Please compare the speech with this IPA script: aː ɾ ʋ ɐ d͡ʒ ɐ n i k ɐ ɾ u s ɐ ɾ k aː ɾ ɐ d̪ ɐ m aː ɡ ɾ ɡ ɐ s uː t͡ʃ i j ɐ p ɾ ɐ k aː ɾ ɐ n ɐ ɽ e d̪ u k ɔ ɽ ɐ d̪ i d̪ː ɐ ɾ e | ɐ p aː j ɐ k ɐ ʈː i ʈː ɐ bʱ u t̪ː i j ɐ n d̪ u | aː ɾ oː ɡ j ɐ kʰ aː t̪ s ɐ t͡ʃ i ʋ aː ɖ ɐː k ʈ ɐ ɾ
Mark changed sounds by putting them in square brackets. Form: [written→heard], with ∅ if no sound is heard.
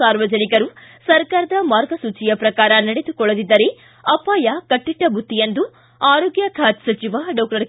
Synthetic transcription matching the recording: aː ɾ ʋ ɐ d͡ʒ ɐ n i k ɐ ɾ u s ɐ ɾ k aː ɾ ɐ d̪ ɐ m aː [ɡ→∅] ɾ ɡ ɐ s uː t͡ʃ i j ɐ p ɾ ɐ k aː ɾ ɐ n ɐ ɽ e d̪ u k ɔ [ɽ→ɭ] ɐ d̪ i d̪ː ɐ ɾ e | ɐ p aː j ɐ k ɐ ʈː i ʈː ɐ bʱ u t̪ː i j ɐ n d̪ u | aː ɾ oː ɡ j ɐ kʰ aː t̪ s ɐ t͡ʃ i ʋ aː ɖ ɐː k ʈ ɐ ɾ

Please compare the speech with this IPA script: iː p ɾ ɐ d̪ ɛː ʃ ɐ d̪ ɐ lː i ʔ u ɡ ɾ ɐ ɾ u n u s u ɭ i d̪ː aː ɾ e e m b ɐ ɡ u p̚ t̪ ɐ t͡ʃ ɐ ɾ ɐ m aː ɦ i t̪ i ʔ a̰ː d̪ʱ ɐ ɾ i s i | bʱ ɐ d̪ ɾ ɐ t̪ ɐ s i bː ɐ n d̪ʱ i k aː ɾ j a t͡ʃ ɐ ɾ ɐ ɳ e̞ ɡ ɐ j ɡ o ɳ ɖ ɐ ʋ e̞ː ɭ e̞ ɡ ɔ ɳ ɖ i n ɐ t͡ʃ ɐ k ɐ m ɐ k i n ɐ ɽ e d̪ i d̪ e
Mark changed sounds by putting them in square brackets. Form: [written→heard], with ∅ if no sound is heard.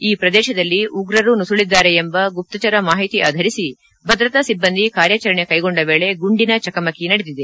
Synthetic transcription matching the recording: iː p ɾ ɐ d̪ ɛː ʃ ɐ d̪ ɐ lː i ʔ u ɡ ɾ ɐ ɾ u n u s u ɭ i d̪ː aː ɾ e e m b ɐ ɡ u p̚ t̪ ɐ t͡ʃ ɐ ɾ ɐ m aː ɦ i t̪ i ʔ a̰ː d̪ʱ ɐ ɾ i s i | bʱ ɐ d̪ ɾ ɐ t̪ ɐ s i bː ɐ n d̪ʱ i k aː ɾ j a t͡ʃ ɐ ɾ ɐ ɳ e̞ [ɡ→k] ɐ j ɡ o ɳ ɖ ɐ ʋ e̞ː ɭ e̞ ɡ [ɔ→u] ɳ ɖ i n ɐ t͡ʃ ɐ k ɐ m ɐ k i n ɐ ɽ e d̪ i d̪ e

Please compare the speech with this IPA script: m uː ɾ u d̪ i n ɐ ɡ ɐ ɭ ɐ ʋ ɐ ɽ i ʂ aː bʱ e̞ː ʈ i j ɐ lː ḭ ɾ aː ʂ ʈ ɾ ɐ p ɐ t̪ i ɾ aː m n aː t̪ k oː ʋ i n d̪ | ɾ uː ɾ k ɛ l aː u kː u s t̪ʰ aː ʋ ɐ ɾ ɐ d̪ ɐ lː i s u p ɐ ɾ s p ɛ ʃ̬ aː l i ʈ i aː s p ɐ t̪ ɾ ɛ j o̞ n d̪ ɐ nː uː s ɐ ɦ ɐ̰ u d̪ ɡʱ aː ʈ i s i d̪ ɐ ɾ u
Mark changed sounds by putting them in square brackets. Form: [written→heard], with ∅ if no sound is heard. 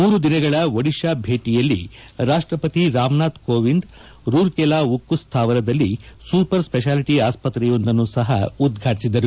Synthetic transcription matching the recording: m uː ɾ u d̪ i n ɐ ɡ ɐ ɭ ɐ ʋ ɐ ɽ i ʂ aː bʱ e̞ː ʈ i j ɐ lː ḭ ɾ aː ʂ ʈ ɾ ɐ p ɐ t̪ i ɾ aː m n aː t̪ k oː ʋ i n d̪ | ɾ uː ɾ k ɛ l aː u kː u s t̪ʰ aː ʋ ɐ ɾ ɐ d̪ ɐ lː i s u p ɐ ɾ s p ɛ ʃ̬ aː l i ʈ i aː s p ɐ t̪ ɾ ɛ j o̞ n d̪ ɐ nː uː s ɐ ɦ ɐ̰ u d̪ ɡʱ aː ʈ i s i d̪ ɐ ɾ u

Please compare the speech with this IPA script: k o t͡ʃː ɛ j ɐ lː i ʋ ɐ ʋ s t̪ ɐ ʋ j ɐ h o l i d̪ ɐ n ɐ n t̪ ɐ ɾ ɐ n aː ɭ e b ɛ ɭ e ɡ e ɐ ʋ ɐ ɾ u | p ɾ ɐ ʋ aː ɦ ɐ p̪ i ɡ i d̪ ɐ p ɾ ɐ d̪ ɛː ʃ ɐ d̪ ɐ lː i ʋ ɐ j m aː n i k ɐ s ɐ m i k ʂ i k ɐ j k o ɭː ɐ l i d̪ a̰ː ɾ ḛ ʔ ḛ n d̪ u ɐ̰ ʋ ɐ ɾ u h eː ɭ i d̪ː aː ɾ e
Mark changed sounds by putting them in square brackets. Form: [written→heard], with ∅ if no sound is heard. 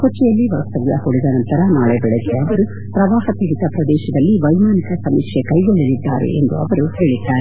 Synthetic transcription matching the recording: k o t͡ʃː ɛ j ɐ lː i ʋ ɐ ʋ s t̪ ɐ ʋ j ɐ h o [l→ɽ] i d̪ ɐ n ɐ n t̪ ɐ ɾ ɐ n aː ɭ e b ɛ ɭ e ɡ e ɐ ʋ ɐ ɾ u | p ɾ ɐ ʋ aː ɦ ɐ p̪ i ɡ i [d̪→t̪] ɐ p ɾ ɐ d̪ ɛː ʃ ɐ d̪ ɐ lː i ʋ ɐ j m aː n i k ɐ s ɐ m i k ʂ [i→e] k ɐ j [k→ɡ] o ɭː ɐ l i [d̪→d̪ː] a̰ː ɾ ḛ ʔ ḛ n d̪ u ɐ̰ ʋ ɐ ɾ u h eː ɭ i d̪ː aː ɾ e

